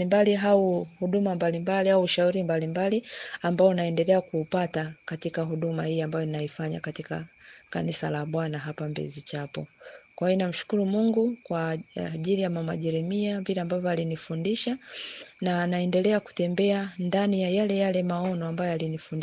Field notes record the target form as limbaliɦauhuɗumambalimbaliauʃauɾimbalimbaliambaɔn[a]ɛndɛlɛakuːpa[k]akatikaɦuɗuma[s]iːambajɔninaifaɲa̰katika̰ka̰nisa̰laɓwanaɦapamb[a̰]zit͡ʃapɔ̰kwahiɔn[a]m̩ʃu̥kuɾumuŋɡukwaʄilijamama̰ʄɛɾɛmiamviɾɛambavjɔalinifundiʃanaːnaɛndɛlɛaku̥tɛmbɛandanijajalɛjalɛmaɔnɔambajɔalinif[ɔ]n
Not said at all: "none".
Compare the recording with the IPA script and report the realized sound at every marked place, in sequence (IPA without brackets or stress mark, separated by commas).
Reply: a, t, h, ɛ̰, a, u